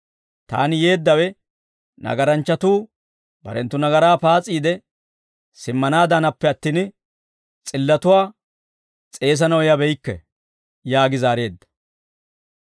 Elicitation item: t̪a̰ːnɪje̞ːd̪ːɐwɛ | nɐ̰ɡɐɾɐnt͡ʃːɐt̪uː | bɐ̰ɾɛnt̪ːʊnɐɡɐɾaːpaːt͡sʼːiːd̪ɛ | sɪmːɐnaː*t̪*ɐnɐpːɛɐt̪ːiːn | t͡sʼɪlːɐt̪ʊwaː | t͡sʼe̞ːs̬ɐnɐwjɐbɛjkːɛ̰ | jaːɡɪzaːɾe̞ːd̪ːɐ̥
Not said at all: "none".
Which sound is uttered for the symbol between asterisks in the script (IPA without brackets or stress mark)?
d̪